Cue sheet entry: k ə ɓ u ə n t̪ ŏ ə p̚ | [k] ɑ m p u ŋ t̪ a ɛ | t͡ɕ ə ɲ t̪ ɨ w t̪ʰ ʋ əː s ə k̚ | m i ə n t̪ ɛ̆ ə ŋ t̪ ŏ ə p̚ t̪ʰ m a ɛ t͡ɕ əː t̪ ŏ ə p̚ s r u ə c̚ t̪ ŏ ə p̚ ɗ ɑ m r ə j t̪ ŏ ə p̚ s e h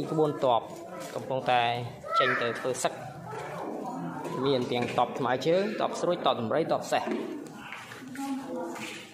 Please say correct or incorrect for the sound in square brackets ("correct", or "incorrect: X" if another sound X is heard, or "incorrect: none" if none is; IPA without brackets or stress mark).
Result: correct